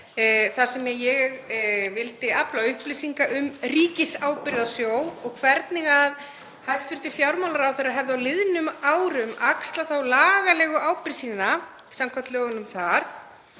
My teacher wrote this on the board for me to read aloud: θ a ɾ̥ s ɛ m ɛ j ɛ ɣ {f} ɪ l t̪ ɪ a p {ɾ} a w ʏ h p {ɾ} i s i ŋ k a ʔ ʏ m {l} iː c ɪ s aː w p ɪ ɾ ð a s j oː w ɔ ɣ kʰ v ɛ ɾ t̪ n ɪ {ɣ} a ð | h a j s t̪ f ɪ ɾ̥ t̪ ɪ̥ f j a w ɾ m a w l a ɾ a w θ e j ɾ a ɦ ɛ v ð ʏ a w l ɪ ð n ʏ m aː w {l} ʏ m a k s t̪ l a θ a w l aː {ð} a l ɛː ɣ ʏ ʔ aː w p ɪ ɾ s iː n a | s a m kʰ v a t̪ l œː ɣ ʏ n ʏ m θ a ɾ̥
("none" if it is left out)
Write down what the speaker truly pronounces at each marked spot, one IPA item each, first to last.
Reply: v, l, l, r, ɣ, ɾ, ɣ

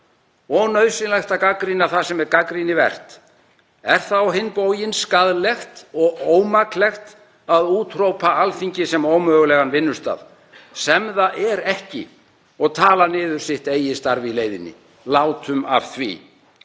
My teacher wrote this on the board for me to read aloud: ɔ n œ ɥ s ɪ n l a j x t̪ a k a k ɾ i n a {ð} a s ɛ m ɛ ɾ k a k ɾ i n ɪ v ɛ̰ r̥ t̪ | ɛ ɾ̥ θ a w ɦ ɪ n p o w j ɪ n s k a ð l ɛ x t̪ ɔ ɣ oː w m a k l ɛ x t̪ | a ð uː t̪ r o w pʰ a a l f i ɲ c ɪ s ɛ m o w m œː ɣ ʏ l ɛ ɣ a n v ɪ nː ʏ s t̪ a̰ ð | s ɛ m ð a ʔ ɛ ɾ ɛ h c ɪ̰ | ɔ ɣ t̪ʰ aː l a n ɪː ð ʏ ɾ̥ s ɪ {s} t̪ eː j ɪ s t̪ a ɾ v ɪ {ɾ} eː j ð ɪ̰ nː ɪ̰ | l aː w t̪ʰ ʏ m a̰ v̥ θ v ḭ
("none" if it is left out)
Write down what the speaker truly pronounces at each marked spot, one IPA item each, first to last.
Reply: θ, h, l

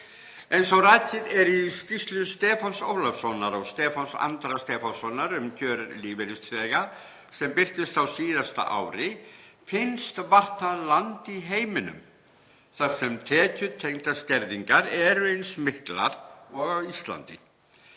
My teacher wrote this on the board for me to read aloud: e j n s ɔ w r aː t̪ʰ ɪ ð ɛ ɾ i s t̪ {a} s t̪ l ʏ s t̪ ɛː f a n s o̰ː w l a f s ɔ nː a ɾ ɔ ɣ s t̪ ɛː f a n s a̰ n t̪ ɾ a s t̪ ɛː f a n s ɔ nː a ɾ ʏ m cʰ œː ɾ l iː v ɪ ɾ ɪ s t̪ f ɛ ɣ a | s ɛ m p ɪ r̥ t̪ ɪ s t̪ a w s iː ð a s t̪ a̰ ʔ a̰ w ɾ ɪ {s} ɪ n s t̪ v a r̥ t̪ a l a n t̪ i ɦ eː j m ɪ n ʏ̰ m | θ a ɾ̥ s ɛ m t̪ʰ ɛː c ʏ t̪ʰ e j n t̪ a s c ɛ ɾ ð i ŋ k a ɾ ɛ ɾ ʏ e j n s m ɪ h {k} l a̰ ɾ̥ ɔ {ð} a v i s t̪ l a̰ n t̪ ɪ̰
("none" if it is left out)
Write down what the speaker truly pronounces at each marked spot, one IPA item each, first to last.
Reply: i, f, k, ɣ

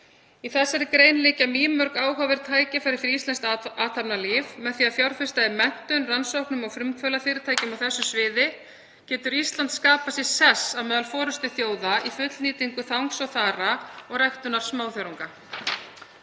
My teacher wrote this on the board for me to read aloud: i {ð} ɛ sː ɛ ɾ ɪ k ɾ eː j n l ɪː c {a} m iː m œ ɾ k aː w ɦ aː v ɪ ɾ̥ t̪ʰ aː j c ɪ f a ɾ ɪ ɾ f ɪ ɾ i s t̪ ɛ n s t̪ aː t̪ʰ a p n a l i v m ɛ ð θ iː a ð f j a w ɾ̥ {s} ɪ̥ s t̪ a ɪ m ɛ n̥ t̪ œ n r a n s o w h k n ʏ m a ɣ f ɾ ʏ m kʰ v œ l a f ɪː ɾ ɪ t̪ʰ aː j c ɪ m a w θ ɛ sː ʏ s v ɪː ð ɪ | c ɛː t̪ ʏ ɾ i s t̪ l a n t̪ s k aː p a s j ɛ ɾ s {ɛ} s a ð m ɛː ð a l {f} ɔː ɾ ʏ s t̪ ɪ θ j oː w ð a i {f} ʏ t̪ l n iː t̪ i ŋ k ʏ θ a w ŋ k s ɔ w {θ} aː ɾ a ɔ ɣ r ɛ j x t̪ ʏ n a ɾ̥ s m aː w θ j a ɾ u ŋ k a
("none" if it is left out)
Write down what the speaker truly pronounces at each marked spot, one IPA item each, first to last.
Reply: θ, a, f, ɛ, f, f, θ

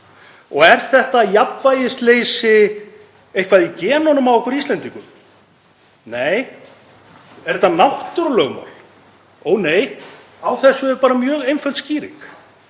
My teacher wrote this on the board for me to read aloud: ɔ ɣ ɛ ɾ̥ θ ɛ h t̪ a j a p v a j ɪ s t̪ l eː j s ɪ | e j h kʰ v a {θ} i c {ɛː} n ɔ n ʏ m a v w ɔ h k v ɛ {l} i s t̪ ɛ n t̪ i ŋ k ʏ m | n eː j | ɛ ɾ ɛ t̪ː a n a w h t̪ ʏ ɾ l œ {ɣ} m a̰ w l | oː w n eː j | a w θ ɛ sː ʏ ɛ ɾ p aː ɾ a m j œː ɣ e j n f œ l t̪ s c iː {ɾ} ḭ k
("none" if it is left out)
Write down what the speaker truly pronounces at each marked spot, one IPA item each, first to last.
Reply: ð, ɛː, ɾ, ɣ, ɾ

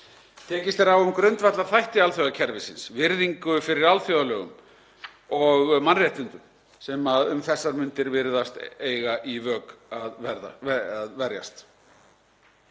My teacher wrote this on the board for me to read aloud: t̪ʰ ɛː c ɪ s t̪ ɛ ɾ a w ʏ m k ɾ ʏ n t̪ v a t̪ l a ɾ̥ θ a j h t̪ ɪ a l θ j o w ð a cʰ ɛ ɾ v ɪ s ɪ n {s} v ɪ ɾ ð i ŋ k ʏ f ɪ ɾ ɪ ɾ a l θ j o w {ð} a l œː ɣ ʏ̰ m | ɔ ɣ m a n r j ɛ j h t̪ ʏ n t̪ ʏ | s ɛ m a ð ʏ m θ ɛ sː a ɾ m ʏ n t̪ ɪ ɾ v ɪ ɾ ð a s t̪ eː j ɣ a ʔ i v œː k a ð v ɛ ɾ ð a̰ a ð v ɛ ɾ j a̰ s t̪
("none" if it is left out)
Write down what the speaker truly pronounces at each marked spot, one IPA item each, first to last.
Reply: s, ð

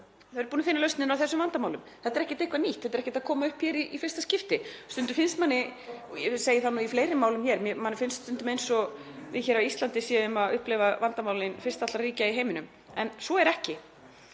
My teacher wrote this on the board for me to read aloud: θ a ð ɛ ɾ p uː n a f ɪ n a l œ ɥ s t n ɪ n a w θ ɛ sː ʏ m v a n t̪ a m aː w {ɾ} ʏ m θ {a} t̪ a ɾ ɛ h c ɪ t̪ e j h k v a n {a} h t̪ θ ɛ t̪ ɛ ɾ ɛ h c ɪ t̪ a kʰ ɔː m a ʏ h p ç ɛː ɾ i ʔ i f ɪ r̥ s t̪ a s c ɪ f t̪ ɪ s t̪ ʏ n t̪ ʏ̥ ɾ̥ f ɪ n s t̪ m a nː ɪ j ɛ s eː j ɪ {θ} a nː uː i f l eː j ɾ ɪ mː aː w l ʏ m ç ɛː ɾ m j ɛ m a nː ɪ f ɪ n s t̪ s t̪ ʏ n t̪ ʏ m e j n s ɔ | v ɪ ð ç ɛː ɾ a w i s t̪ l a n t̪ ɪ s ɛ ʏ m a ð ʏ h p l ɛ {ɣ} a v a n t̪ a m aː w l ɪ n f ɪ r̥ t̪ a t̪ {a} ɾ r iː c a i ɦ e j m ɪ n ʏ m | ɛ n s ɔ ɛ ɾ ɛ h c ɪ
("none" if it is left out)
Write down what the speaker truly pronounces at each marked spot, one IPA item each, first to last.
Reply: l, ɛ, i, θ, v, a

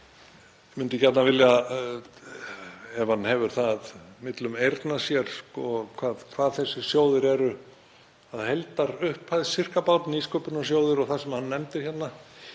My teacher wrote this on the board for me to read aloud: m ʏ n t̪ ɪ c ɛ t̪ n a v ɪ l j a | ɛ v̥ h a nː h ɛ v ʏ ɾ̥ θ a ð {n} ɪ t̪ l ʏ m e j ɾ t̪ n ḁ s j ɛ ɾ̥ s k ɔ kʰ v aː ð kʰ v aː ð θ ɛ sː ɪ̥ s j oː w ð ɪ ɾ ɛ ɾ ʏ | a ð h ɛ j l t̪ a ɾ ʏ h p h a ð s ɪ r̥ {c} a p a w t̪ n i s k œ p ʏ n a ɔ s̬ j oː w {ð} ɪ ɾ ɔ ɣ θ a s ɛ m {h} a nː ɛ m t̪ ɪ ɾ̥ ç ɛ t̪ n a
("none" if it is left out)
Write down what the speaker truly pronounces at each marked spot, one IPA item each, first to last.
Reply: m, k, ð, h

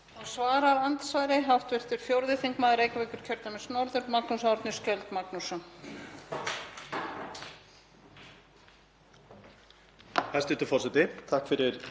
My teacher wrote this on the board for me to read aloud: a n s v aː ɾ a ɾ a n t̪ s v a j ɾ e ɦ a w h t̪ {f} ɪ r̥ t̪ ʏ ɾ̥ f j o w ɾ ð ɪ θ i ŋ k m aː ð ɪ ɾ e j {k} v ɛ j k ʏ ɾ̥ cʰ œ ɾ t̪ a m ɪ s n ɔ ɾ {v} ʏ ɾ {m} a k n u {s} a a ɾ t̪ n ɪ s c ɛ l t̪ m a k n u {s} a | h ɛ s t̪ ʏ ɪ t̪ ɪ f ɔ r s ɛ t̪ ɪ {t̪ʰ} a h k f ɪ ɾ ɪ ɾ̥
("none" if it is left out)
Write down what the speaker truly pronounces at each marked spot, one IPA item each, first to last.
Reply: v, k, ð, m, s, s, t̪ʰ

